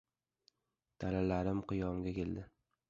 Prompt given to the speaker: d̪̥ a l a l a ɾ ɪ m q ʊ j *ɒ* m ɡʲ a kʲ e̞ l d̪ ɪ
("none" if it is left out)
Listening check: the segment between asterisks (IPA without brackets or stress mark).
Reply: ɒ